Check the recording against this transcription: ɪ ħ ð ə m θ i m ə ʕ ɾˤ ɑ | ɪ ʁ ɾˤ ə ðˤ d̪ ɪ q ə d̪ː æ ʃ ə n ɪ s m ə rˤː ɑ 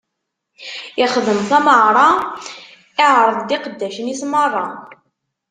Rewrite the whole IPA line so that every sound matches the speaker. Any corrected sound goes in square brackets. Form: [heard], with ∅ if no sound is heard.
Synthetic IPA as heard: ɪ [χ] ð ə m θ [æ] m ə ʕ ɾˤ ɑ | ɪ [ʕ] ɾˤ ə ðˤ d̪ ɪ q ə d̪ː æ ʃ ə n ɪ s m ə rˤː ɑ